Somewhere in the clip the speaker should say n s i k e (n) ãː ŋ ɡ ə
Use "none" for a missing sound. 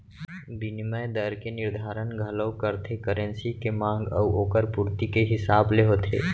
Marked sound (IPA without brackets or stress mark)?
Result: m